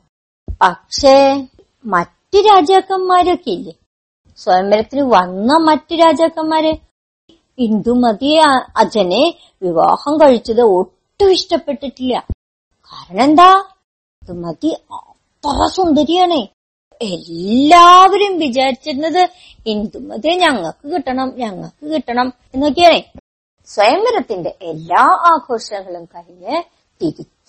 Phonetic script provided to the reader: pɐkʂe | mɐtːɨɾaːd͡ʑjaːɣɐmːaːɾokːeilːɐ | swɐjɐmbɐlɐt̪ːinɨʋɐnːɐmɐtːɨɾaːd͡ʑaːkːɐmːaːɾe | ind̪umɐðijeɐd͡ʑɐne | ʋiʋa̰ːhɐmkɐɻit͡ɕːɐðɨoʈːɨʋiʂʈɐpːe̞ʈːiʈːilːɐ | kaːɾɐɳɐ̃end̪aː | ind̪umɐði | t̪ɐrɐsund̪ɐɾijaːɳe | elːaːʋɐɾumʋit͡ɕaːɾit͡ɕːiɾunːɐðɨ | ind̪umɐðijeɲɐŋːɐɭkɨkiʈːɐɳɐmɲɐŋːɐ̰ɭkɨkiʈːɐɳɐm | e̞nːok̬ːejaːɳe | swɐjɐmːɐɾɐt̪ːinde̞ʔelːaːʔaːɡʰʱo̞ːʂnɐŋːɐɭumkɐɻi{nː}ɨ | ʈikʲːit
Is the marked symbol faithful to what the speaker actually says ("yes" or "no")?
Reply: no